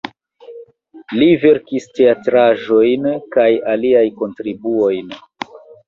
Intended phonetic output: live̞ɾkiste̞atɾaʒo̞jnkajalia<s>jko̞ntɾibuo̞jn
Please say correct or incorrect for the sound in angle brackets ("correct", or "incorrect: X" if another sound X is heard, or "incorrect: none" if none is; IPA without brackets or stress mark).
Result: incorrect: none